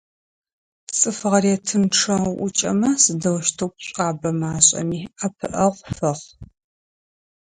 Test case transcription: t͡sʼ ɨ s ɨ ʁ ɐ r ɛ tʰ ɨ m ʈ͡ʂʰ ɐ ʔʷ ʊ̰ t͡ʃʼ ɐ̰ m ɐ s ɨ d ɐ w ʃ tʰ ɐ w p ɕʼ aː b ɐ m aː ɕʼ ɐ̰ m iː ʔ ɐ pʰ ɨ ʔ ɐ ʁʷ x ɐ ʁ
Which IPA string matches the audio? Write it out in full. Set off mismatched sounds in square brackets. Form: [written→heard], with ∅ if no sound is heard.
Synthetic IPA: t͡sʼ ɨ [s→f] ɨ ʁ ɐ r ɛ tʰ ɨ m ʈ͡ʂʰ ɐ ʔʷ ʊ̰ t͡ʃʼ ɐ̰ m ɐ s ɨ d ɐ w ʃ tʰ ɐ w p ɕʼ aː b ɐ m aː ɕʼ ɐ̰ m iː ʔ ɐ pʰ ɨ ʔ ɐ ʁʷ [x→f] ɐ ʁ